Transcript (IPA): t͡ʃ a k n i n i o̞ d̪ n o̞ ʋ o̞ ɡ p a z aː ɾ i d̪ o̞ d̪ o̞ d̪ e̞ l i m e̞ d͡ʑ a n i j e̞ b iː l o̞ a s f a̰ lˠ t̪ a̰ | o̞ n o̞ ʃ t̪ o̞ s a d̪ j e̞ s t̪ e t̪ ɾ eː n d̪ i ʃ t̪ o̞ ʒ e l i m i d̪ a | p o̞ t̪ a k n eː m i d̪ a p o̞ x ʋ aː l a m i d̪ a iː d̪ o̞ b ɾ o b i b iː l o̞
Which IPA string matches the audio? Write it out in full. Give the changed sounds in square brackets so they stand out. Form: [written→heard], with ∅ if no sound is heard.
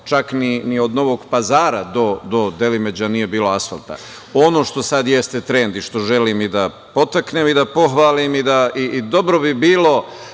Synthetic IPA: t͡ʃ a k n i n i o̞ d̪ n o̞ ʋ o̞ ɡ p a z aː ɾ [i→a] d̪ o̞ d̪ o̞ d̪ e̞ l i m e̞ d͡ʑ a n i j e̞ b iː l o̞ a s f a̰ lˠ t̪ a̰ | o̞ n o̞ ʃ t̪ o̞ s a d̪ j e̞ s t̪ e t̪ ɾ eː n d̪ i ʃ t̪ o̞ ʒ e l i m i d̪ a | p o̞ t̪ a k n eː m i d̪ a p o̞ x ʋ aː l [a→i] m i d̪ a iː d̪ o̞ b ɾ o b i b iː l o̞